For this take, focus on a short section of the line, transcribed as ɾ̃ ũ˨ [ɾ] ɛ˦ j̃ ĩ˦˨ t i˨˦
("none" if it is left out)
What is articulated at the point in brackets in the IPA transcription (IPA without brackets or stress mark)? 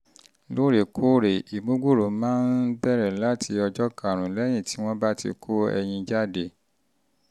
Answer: l